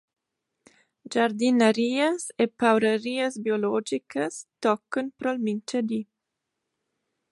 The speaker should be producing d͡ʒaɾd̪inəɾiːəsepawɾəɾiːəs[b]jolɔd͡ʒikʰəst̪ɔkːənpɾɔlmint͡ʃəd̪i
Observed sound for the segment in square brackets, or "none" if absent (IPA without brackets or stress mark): b